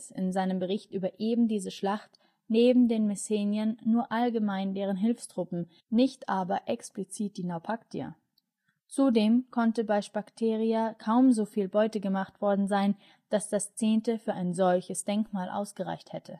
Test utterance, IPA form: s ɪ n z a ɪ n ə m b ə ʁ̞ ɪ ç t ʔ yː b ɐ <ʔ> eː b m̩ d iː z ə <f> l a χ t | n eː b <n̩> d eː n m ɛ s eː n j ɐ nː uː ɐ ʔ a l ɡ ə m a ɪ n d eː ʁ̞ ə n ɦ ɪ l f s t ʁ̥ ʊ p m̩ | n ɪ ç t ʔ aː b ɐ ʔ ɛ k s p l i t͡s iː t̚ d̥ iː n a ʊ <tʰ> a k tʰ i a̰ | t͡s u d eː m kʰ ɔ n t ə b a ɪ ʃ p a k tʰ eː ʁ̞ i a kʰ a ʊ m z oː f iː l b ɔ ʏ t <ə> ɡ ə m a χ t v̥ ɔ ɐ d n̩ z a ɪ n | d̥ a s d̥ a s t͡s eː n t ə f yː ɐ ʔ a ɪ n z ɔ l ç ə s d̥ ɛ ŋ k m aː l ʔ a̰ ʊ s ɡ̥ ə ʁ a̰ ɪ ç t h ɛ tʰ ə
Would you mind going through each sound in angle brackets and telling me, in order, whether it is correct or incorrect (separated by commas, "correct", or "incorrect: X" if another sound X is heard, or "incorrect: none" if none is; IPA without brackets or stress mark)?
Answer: correct, incorrect: ʃ, incorrect: m̩, incorrect: pʰ, correct